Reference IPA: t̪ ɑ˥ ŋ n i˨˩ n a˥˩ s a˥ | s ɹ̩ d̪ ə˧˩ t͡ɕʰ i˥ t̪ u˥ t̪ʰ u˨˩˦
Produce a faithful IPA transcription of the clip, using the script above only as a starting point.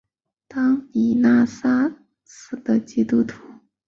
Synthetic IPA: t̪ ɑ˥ ŋ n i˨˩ n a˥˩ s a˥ | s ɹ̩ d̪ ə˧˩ t͡ɕ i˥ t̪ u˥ t̪ʰ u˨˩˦